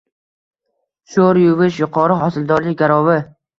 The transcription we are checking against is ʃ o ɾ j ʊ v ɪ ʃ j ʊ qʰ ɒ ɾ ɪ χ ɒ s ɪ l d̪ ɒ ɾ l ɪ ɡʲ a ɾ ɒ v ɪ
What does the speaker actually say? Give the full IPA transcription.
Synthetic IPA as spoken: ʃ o ɾ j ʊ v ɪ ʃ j ʊ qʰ ɒ ɾ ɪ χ ɒ s ɪ l d̪ ɒ ɾ l ɪ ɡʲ a ɾ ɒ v ɪ